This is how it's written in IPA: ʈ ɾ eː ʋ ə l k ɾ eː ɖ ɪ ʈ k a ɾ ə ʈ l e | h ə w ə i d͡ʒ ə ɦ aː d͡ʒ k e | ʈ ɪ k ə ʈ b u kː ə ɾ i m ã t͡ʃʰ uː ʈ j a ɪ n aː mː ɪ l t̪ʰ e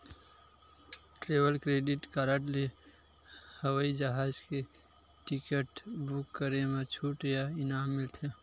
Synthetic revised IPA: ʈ ɾ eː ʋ ə l k ɾ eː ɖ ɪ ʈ k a ɾ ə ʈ l e | h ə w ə i d͡ʒ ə ɦ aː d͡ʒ k e | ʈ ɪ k ə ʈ b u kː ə ɾ e m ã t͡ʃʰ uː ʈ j a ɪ n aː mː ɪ l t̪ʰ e